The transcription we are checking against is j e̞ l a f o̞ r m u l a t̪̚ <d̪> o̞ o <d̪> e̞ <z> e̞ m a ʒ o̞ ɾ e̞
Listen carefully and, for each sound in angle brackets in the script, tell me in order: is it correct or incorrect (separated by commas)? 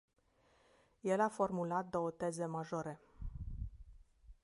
correct, incorrect, correct